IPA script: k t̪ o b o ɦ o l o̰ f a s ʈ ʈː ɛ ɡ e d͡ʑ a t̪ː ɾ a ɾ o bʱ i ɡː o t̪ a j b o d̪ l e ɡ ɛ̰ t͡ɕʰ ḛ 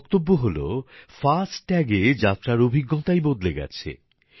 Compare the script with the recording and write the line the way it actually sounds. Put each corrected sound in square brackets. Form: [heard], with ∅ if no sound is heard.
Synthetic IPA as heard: k t̪ o [bː] o ɦ o l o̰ f a s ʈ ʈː ɛ ɡ e d͡ʑ a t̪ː ɾ a ɾ o bʱ i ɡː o t̪ a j b o d̪ l e ɡ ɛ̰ t͡ɕʰ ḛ

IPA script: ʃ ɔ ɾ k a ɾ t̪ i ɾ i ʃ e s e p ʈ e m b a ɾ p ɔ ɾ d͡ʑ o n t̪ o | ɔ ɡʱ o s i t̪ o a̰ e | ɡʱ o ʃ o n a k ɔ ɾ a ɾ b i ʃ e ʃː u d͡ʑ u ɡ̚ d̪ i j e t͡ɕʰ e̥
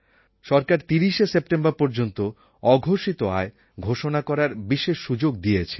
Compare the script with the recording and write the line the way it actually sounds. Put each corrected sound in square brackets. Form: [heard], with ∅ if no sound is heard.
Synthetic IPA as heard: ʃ ɔ ɾ k a ɾ t̪ i ɾ i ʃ e s e p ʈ e m b a ɾ p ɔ ɾ d͡ʑ o n t̪ o | ɔ ɡʱ o [ʃ] i t̪ o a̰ e | ɡʱ o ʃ o n a k ɔ ɾ a ɾ b i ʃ e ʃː u d͡ʑ [o] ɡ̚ d̪ i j e t͡ɕʰ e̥

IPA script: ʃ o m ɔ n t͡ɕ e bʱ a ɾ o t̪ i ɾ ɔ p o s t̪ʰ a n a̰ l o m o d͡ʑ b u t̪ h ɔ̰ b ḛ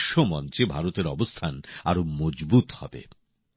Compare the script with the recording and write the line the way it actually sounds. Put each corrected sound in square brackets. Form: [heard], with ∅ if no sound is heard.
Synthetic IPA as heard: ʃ o m ɔ n t͡ɕ e bʱ a ɾ o t̪ [e] ɾ ɔ [b] o s t̪ʰ a n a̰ [ɾ] o m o d͡ʑ b u t̪ h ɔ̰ b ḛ

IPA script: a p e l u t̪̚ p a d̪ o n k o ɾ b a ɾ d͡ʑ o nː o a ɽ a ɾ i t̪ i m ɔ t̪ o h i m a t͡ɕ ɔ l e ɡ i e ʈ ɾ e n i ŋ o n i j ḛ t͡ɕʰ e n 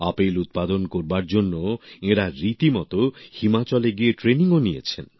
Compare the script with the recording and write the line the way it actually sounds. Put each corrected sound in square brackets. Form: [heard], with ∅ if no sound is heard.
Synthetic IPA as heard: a p e l u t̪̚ p a d̪ o n k o ɾ b a ɾ d͡ʑ o nː o [e] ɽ a ɾ i t̪ i m ɔ t̪ o h i m a t͡ɕ ɔ l e ɡ i e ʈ ɾ e n i ŋ o n i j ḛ t͡ɕʰ e n

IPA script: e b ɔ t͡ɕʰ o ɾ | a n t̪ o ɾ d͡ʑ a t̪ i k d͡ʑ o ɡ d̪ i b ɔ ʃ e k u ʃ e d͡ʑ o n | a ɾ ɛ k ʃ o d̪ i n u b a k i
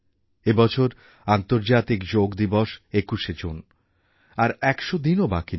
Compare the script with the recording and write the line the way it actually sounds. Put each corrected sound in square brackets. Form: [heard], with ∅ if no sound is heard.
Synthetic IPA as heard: e b ɔ t͡ɕʰ o ɾ | a n t̪ o ɾ d͡ʑ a t̪ i k d͡ʑ o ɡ d̪ i b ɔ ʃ e k u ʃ e d͡ʑ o n | a ɾ ɛ k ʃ o d̪ i n [o] b a k i

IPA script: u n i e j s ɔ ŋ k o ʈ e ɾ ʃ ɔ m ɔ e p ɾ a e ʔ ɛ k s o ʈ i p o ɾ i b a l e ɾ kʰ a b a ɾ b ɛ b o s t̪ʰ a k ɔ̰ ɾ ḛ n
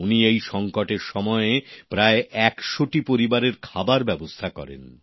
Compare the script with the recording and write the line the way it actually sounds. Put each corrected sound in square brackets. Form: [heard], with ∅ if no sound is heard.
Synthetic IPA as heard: u n i e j [ʃ] ɔ ŋ k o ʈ e ɾ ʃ ɔ m ɔ e p ɾ a e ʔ ɛ k [ʃ] o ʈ i p o ɾ i b a [ɾ] e ɾ kʰ a b a ɾ b ɛ b o s t̪ʰ a k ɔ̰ ɾ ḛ n

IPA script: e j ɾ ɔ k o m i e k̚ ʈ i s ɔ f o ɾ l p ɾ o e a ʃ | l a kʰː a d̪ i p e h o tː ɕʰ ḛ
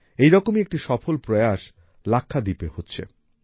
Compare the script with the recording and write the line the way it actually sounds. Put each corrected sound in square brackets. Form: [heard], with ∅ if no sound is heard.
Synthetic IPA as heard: e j ɾ ɔ k o m i e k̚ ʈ i [ʃ] ɔ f o [∅] l p ɾ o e a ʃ | l a kʰː a d̪ i p e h o tː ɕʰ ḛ

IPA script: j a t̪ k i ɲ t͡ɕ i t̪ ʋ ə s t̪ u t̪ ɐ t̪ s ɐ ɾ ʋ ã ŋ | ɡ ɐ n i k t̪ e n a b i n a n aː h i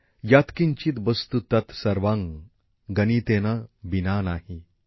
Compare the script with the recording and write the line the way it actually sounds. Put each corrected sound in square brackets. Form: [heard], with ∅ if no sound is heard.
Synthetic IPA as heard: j a t̪ k i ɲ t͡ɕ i t̪ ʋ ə s t̪ u t̪ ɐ t̪ s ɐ ɾ ʋ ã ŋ | ɡ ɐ n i [∅] t̪ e n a b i n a n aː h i

